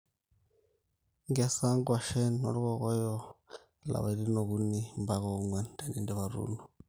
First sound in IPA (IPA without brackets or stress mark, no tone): ŋ